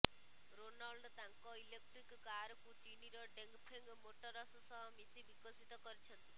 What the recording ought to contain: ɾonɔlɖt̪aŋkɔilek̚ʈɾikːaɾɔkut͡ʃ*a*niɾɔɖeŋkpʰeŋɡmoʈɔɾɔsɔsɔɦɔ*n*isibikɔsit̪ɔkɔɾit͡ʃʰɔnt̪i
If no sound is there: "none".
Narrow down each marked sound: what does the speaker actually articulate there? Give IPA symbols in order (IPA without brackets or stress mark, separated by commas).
i, m